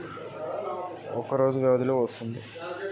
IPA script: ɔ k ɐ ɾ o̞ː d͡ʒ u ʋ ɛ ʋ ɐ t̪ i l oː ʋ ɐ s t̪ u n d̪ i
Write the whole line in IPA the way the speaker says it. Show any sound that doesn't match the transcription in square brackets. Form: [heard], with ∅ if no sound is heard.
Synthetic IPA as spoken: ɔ k ɐ ɾ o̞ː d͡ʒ u ʋ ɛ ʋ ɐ [d̪] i l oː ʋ ɐ s t̪ u n d̪ i